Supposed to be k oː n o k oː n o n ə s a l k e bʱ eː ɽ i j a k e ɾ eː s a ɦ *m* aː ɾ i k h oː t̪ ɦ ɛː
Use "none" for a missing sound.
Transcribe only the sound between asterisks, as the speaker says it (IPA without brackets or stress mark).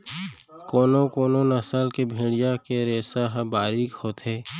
b